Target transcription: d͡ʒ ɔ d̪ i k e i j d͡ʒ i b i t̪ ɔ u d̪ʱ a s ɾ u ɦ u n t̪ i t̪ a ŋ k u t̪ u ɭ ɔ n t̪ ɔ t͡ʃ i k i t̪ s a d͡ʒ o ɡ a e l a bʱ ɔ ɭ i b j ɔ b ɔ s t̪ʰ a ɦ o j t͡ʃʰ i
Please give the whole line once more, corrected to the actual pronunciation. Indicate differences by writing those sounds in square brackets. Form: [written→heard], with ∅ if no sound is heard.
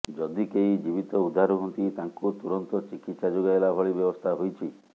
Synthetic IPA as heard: d͡ʒ ɔ d̪ i k e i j d͡ʒ i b i t̪ ɔ u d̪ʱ a [s→∅] ɾ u ɦ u n t̪ i t̪ a ŋ k u t̪ u [ɭ→ɾ] ɔ n t̪ ɔ t͡ʃ i k i t̪ s a d͡ʒ o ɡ a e l a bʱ ɔ ɭ i b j ɔ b ɔ s t̪ʰ a ɦ o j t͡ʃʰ i

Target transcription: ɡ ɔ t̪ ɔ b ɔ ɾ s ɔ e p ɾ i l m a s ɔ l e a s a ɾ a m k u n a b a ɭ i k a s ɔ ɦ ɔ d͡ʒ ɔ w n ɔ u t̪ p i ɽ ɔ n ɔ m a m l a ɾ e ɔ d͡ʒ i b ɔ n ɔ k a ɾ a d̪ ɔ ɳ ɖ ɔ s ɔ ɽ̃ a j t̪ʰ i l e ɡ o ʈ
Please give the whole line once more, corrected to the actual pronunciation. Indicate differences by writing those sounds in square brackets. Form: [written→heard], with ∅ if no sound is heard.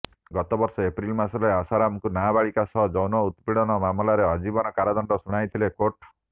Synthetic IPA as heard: ɡ ɔ t̪ ɔ b ɔ ɾ s ɔ e p ɾ i l m a s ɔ l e a s a ɾ a m k u n a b a ɭ i k a s ɔ ɦ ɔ d͡ʒ ɔ w n ɔ u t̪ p i ɽ ɔ n ɔ m a m l a ɾ e ɔ d͡ʒ i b ɔ n ɔ k a ɾ a d̪ ɔ ɳ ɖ ɔ s [ɔ→u] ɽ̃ a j t̪ʰ i l e [ɡ→k] o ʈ

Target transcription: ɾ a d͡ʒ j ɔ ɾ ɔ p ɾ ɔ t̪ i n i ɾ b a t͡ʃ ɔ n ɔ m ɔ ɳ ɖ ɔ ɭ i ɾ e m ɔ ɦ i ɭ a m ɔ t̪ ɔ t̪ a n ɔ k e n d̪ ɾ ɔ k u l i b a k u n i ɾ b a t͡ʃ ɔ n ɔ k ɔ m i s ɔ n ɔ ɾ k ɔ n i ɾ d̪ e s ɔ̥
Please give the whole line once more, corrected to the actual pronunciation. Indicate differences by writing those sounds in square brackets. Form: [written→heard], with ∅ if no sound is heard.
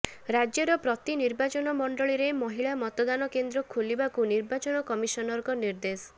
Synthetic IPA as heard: ɾ a d͡ʒ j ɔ ɾ ɔ p ɾ ɔ t̪ i n i ɾ b a t͡ʃ ɔ n ɔ m ɔ ɳ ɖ ɔ ɭ i ɾ e m ɔ ɦ i ɭ a m ɔ t̪ ɔ [t̪→d̪] a n ɔ k e n d̪ ɾ ɔ [k→kʰ] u l i b a k u n i ɾ b a t͡ʃ ɔ n ɔ k ɔ m i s ɔ n ɔ ɾ k ɔ n i ɾ d̪ e s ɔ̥

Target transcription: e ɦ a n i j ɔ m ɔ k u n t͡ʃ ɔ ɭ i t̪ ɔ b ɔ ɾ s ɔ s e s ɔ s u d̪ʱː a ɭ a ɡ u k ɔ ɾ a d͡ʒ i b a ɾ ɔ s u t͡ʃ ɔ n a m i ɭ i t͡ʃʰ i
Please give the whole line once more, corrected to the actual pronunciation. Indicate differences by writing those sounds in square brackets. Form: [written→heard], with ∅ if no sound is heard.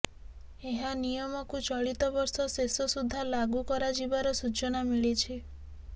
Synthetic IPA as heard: e ɦ a n i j ɔ m ɔ k u [n→∅] t͡ʃ ɔ ɭ i t̪ ɔ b ɔ ɾ s ɔ s e s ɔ s u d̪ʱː a [ɭ→l] a ɡ u k ɔ ɾ a d͡ʒ i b a ɾ ɔ s u t͡ʃ ɔ n a m i ɭ i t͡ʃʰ i

